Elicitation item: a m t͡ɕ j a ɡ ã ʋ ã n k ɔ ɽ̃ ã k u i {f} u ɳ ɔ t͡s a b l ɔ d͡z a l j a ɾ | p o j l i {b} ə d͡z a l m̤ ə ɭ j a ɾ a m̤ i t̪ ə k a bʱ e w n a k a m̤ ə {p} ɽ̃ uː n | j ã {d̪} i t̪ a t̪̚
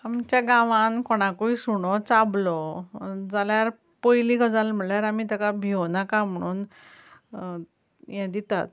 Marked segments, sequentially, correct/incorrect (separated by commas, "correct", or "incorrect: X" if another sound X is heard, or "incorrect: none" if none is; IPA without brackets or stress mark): incorrect: s, incorrect: ɡ, incorrect: none, correct